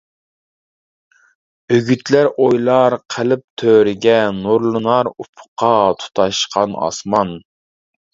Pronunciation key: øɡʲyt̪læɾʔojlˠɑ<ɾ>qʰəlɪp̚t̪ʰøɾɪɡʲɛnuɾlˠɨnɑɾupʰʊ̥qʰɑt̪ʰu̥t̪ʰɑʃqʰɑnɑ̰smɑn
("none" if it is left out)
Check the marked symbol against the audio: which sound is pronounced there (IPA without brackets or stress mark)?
ɾ